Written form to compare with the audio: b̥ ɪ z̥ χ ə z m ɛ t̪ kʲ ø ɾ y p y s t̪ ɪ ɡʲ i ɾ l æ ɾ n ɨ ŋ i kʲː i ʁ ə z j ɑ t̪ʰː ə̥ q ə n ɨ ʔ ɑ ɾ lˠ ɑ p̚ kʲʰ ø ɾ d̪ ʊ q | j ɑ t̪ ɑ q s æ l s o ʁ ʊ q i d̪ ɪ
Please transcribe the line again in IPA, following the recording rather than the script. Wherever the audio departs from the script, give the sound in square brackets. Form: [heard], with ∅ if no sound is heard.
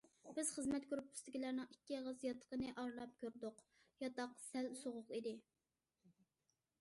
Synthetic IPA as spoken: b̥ ɪ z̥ χ ə z m ɛ t̪ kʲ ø ɾ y p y s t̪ ɪ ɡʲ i [∅] l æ ɾ n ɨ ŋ i kʲː i ʁ ə z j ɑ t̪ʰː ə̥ q ə n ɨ ʔ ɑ ɾ lˠ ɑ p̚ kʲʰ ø ɾ d̪ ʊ q | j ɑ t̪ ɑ q s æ l s o ʁ ʊ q i d̪ ɪ

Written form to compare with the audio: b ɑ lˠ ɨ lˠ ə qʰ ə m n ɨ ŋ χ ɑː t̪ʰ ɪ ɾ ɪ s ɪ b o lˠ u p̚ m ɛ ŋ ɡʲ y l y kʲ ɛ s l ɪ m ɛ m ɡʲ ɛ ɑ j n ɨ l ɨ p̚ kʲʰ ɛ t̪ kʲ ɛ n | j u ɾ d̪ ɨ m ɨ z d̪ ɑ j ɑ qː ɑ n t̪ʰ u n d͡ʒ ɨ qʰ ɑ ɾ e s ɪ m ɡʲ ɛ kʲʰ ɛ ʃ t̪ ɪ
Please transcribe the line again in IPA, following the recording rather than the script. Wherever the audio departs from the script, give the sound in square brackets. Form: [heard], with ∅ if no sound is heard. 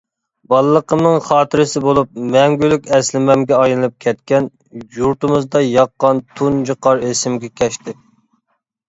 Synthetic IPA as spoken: b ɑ lˠ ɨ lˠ ə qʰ ə m n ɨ ŋ χ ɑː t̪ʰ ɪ ɾ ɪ s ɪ b o lˠ u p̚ m ɛ ŋ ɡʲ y l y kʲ ɛ s l ɪ m ɛ m ɡʲ ɛ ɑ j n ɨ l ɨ p̚ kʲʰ ɛ t̪ kʲ ɛ n | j u ɾ [t̪] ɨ m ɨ z d̪ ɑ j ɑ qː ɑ n t̪ʰ u n d͡ʒ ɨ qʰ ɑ ɾ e s ɪ m ɡʲ ɛ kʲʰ ɛ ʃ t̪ ɪ

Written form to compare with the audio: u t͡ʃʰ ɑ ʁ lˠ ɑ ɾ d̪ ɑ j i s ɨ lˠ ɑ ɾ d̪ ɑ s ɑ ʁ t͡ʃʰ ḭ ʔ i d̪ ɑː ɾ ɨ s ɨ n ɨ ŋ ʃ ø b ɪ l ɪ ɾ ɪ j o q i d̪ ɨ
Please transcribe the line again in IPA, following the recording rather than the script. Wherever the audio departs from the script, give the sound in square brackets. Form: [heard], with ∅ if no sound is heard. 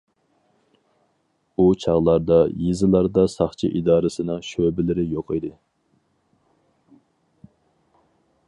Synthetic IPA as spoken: u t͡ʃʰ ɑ ʁ lˠ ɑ ɾ d̪ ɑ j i [z] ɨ lˠ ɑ ɾ d̪ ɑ s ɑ [χ] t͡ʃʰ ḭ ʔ i d̪ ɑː ɾ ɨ s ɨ n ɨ ŋ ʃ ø b ɪ l ɪ ɾ ɪ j o q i d̪ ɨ

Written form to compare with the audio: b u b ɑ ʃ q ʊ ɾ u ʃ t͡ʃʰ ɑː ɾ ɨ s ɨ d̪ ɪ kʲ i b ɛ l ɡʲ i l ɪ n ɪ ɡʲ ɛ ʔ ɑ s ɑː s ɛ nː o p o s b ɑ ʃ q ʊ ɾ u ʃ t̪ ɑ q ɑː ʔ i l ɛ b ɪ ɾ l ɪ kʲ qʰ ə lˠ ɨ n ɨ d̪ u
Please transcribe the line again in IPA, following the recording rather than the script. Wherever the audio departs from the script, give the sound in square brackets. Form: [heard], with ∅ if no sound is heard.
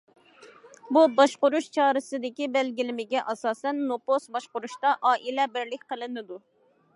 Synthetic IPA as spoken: b u b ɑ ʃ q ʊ ɾ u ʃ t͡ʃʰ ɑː ɾ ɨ s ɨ d̪ ɪ kʲ i b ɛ l ɡʲ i l ɪ [m] ɪ ɡʲ ɛ ʔ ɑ s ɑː s ɛ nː o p o s b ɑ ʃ q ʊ ɾ u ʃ t̪ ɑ [ʔ] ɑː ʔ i l ɛ b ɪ ɾ l ɪ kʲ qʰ ə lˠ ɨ n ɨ d̪ u

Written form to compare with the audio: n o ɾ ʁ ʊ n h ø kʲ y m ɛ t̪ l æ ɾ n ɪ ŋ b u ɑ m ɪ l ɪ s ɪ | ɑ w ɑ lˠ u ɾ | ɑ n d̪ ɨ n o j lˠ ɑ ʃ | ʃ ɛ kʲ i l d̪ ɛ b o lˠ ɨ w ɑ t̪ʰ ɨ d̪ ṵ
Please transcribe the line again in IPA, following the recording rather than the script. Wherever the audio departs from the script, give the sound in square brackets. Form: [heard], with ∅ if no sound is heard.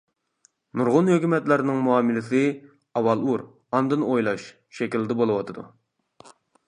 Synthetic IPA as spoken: n [u] ɾ ʁ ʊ n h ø kʲ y m ɛ t̪ l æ ɾ n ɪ ŋ [m] u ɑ m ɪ l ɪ s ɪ | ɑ w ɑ lˠ u ɾ | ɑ n d̪ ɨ n o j lˠ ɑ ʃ | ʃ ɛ kʲ i l d̪ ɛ b o lˠ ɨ w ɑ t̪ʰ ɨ d̪ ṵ

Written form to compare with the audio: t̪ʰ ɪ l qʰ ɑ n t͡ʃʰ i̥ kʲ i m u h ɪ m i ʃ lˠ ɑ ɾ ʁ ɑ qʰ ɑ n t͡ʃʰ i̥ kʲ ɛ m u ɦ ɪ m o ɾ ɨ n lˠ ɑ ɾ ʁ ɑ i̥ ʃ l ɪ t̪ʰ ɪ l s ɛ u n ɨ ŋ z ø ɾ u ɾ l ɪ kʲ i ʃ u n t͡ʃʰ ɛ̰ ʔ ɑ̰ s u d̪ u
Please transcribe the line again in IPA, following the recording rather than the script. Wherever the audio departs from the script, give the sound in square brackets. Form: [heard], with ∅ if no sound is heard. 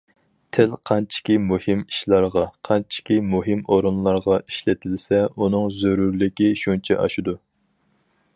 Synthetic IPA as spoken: t̪ʰ ɪ l qʰ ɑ n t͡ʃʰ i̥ kʲ i m u h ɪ m i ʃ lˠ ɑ ɾ ʁ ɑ qʰ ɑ n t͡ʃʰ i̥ kʲ [i] m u ɦ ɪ m o ɾ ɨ n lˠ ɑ ɾ ʁ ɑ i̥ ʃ l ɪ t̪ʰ ɪ l s ɛ u n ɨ ŋ z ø ɾ u ɾ l ɪ kʲ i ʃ u n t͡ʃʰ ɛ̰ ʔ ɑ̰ [ʃ] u d̪ u

